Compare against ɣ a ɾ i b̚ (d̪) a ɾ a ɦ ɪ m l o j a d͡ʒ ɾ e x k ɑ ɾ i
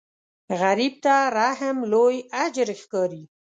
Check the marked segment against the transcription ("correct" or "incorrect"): incorrect